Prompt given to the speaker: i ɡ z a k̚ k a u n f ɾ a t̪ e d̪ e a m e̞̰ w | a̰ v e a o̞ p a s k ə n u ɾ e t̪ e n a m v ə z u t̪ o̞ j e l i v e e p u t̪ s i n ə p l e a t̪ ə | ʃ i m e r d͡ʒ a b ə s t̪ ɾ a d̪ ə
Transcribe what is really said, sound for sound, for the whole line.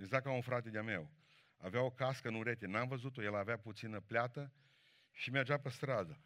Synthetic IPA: e ɡ z a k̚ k a u n f ɾ a t̪ e d̪ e a m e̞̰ w | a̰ v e a o̞ k a s k ə n u ɾ e t̪ e n a m v ə z u t̪ o̞ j e l a v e a p u t̪ s i n ə p l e a t̪ ə | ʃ i m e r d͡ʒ a p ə s t̪ ɾ a d̪ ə